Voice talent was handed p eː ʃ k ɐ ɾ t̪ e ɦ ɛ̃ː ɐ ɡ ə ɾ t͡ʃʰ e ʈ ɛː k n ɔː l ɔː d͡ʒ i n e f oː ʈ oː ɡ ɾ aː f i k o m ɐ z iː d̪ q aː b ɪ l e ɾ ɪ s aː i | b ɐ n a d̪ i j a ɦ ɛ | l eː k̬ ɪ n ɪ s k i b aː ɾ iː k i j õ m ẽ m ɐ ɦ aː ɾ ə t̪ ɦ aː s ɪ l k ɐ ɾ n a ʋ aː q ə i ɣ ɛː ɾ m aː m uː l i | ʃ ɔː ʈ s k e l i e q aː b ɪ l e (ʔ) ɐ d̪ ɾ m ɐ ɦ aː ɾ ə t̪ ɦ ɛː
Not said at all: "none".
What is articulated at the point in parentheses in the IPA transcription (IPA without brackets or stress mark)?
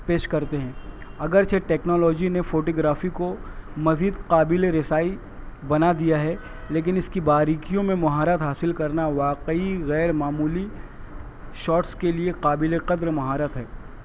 q